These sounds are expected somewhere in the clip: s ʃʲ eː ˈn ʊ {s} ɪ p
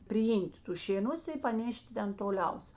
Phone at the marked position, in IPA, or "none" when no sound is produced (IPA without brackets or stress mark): s